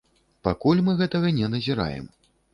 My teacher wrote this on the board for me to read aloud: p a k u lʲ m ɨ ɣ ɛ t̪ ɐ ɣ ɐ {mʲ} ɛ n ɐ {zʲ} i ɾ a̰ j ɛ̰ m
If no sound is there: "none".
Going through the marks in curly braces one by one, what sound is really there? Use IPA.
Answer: nʲ, zʲ

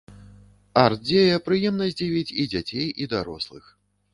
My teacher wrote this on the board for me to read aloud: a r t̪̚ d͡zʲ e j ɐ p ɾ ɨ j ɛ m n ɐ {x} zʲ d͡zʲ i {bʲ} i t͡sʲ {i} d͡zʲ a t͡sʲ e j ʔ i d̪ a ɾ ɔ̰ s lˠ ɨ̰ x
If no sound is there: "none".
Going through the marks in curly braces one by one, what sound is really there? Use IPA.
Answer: none, vʲ, i

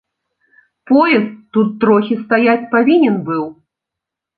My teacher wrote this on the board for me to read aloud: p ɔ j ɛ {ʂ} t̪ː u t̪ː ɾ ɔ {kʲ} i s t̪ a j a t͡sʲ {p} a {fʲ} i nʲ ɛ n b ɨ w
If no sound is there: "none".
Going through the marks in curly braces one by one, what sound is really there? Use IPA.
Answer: s, xʲ, p, vʲ

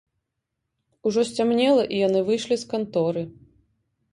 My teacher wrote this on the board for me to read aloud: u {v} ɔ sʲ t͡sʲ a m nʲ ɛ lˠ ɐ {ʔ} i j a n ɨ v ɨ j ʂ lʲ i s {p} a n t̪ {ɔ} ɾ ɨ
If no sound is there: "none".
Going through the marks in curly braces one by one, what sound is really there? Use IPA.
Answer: ʐ, ʔ, k, ɔ

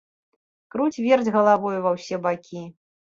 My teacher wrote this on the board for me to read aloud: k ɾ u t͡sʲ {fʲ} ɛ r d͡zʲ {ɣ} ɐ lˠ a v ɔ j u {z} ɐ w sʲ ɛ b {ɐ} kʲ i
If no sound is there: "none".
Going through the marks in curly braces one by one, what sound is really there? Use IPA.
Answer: vʲ, ɣ, v, a

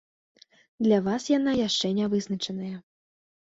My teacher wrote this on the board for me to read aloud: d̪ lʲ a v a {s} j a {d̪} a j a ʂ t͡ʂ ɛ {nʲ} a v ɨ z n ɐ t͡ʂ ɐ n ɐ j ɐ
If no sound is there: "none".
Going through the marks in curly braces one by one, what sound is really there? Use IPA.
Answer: s, n̪, nʲ

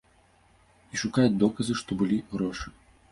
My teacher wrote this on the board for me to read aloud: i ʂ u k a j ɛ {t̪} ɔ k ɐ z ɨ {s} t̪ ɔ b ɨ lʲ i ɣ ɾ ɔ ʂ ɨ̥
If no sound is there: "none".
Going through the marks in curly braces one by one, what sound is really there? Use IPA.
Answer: d̪, ʂ

